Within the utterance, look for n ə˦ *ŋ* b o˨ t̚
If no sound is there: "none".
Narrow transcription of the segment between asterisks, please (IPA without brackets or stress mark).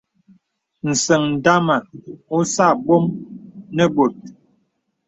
none